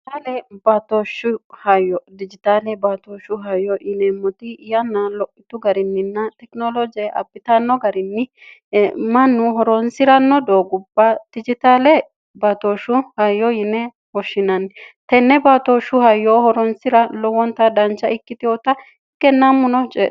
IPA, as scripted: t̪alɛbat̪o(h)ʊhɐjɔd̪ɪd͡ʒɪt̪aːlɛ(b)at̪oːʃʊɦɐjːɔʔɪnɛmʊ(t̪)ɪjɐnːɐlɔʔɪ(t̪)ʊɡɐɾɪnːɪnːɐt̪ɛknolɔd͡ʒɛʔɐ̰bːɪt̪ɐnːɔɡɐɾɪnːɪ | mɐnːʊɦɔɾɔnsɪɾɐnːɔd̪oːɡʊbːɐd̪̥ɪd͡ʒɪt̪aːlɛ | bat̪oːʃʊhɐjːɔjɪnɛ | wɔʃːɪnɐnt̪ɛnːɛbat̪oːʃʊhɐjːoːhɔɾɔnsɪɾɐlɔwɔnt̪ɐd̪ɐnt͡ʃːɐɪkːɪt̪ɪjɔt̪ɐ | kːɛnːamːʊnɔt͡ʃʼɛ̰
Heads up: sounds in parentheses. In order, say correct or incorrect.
incorrect: ʃ, correct, correct, correct

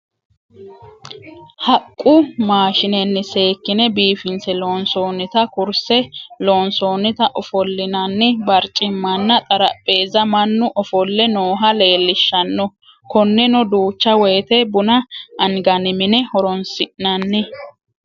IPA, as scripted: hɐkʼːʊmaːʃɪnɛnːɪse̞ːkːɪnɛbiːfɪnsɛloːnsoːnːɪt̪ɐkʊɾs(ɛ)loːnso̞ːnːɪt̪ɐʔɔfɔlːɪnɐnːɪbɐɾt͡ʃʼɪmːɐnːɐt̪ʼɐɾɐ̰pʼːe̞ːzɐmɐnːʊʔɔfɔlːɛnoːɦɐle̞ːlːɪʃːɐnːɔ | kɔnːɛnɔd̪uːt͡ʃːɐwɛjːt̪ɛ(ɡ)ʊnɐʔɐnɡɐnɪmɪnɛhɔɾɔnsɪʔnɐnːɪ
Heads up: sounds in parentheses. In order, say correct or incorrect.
correct, incorrect: b

